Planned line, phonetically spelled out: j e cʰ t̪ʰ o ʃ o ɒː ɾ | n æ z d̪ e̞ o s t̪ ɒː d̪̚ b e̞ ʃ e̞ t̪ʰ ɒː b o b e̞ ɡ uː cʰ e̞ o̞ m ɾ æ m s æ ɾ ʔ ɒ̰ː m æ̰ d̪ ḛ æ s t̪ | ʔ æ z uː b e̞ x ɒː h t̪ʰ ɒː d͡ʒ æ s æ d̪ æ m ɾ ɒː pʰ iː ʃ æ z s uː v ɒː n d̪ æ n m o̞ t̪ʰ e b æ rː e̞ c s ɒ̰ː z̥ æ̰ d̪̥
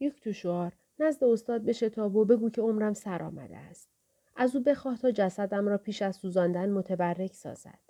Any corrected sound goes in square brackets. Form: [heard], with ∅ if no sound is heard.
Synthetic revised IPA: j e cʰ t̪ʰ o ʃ o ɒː ɾ | n æ z d̪ e̞ o s t̪ ɒː d̪̚ b e̞ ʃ e̞ t̪ʰ ɒː b o b e̞ ɡ uː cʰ e̞ o̞ m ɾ æ m s æ ɾ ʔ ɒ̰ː m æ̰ d̪ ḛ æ s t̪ | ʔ æ z uː b e̞ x ɒː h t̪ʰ ɒː d͡ʒ æ s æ d̪ æ m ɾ ɒː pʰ iː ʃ æ z s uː [z] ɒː n d̪ æ n m o̞ t̪ʰ e b æ rː e̞ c s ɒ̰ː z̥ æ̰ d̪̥